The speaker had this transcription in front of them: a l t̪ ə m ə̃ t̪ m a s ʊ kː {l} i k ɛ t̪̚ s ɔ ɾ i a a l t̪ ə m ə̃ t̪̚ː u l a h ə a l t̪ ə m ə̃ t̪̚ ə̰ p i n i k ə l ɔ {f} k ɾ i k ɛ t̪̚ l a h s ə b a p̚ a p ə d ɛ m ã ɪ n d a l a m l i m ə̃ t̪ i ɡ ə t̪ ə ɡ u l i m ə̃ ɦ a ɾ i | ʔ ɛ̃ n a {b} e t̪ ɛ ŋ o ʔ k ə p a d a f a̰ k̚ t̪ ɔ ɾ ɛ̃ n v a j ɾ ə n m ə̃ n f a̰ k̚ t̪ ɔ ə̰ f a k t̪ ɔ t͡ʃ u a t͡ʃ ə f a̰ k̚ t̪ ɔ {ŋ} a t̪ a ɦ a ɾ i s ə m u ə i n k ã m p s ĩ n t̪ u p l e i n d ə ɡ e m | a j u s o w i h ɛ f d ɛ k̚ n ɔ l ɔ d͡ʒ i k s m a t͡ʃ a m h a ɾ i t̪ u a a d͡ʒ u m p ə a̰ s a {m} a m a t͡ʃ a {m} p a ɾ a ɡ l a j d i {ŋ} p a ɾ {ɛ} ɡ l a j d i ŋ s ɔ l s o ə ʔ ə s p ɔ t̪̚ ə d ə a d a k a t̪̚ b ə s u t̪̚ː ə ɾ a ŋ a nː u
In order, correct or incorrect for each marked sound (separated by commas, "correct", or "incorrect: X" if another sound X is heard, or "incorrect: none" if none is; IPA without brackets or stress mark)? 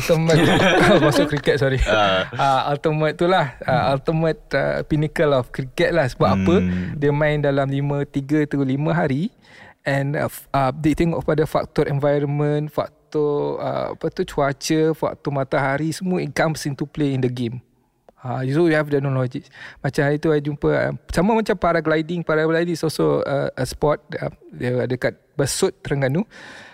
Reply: incorrect: ɾ, correct, incorrect: d, incorrect: m, correct, correct, correct, incorrect: a